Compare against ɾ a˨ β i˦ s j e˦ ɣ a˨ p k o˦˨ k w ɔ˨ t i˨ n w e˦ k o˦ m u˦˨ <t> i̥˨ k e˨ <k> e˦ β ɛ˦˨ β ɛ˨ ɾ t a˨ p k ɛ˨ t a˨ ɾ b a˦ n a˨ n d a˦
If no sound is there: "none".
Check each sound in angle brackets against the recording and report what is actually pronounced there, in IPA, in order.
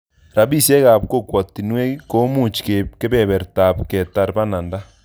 t͡ʃ, k

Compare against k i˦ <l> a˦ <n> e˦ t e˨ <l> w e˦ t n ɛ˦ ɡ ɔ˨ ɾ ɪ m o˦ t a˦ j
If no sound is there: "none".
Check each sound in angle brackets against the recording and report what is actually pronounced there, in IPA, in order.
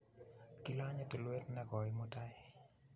l, ɲ, l

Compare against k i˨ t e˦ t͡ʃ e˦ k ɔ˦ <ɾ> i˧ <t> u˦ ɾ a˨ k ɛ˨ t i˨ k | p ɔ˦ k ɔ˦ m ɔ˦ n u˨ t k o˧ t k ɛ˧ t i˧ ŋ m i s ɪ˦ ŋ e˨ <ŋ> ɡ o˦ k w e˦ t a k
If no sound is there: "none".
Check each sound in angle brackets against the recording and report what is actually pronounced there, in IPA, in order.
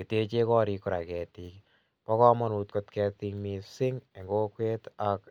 ɾ, k, ŋ

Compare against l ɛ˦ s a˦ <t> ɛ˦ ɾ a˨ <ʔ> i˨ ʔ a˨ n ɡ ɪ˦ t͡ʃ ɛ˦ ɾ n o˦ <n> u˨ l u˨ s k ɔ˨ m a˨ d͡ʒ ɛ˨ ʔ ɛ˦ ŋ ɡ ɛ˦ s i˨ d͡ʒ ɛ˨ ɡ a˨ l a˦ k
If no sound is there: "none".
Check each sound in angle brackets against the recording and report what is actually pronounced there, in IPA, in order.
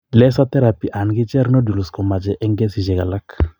t, p, d

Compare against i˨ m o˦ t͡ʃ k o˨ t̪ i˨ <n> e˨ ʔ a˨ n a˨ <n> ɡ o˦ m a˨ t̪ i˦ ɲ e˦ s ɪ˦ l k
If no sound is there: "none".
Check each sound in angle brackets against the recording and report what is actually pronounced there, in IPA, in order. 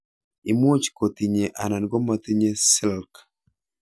ɲ, n

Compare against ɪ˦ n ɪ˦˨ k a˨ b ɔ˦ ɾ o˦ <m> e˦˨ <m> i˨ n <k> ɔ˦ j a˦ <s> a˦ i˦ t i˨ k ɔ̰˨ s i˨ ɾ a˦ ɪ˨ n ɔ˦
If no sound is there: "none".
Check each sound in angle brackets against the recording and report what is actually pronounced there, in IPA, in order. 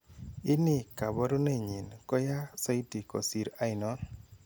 n, ɲ, k, s

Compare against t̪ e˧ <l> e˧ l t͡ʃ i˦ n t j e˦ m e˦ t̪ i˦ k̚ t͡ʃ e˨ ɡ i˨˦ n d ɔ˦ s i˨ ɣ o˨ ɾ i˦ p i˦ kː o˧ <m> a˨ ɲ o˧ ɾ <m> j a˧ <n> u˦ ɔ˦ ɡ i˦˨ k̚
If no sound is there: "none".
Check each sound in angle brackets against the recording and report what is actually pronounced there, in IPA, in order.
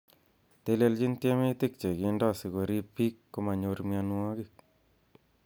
l, m, m, n

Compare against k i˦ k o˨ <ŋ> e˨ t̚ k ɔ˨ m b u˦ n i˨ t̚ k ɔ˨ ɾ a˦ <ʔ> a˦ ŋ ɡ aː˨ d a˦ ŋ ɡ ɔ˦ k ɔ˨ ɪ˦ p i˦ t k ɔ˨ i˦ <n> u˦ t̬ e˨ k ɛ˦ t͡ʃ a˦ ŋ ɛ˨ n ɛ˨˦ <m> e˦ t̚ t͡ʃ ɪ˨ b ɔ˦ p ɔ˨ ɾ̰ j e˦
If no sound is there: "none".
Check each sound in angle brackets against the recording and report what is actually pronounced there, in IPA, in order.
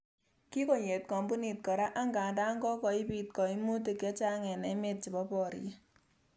ɲ, ʔ, m, m

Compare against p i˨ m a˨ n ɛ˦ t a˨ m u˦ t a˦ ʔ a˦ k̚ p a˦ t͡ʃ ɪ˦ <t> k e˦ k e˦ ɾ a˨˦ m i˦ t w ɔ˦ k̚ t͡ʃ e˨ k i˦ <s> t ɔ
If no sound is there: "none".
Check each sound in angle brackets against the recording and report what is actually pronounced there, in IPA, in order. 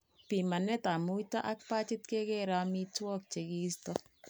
t, s

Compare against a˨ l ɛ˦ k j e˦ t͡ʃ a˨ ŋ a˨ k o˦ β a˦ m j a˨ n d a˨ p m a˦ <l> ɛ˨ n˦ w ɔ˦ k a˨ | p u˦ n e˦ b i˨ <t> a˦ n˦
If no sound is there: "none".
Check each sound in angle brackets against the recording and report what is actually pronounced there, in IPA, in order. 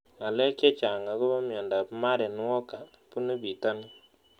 ɾ, t

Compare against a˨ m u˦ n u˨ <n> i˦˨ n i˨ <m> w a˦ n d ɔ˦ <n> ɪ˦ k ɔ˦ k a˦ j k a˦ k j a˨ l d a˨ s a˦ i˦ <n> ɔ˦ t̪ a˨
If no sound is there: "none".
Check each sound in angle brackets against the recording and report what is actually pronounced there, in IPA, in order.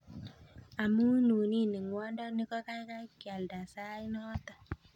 n, ŋ, n, n

